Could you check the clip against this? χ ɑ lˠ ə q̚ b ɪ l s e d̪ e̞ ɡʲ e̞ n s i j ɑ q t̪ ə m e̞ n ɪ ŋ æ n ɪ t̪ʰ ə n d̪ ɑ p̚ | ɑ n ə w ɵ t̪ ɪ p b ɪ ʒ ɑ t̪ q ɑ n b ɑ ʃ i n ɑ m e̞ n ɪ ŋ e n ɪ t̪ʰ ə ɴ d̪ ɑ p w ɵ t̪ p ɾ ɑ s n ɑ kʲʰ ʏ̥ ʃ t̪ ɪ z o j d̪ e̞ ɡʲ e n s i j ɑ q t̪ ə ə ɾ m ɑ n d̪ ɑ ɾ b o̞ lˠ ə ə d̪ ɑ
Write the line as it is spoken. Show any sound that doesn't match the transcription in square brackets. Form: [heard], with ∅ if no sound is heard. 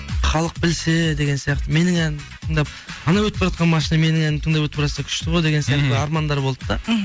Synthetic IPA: χ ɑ lˠ ə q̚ b ɪ l s e d̪ e̞ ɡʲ e̞ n s i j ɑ q t̪ ə m e̞ n ɪ ŋ æ n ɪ t̪ʰ ə [ɴ] d̪ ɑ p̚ | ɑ n [ɑ] w ɵ t̪ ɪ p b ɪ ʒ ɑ t̪ q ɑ n [m] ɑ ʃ i n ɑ m e̞ n ɪ ŋ [æ] n ɪ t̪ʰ ə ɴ d̪ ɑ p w ɵ t̪ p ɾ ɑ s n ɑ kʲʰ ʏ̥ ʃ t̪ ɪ [ʁ] o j d̪ e̞ ɡʲ e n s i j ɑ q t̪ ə [ɑ] ɾ m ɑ n d̪ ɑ ɾ b o̞ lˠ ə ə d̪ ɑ